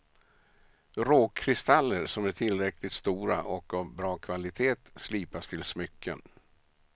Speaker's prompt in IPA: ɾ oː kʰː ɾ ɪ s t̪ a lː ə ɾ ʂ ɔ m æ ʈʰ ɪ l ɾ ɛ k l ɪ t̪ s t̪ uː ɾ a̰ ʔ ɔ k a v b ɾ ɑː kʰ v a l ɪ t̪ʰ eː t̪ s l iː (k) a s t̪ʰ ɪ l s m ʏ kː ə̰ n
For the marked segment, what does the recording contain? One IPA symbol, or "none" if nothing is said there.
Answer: p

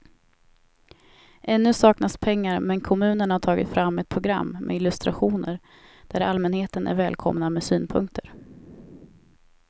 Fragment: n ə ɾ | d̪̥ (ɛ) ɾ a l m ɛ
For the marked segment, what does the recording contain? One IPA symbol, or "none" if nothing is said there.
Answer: æ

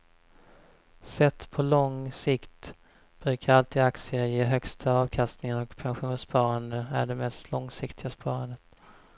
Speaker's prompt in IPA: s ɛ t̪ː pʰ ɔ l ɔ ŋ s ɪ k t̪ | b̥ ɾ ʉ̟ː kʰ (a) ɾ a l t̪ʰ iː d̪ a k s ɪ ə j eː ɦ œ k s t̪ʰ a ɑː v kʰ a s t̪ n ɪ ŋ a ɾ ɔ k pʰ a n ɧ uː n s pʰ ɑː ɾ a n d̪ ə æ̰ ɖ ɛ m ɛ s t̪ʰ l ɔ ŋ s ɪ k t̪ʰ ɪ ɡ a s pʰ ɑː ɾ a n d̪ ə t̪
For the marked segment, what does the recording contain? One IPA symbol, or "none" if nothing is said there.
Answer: a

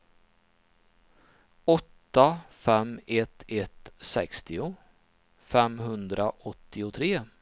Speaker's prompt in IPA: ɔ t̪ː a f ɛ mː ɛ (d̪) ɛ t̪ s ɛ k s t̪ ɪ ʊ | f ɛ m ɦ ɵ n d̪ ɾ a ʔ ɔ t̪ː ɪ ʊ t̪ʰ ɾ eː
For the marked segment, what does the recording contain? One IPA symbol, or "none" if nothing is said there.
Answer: t̪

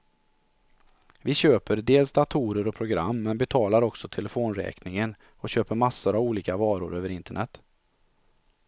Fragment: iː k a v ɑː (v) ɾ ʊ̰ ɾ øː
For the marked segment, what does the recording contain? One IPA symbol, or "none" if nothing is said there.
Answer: none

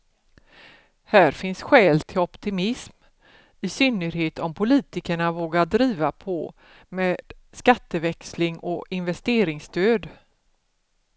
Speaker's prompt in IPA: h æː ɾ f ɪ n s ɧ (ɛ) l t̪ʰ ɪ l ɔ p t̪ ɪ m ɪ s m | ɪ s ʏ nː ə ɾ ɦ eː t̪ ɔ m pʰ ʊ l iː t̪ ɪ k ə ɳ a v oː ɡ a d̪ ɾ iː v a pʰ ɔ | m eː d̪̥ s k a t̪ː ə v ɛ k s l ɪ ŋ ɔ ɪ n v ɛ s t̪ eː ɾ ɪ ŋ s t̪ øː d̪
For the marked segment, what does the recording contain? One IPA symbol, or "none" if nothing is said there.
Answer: ɛː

